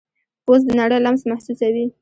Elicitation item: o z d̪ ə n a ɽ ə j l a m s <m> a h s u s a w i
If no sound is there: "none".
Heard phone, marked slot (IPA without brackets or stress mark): m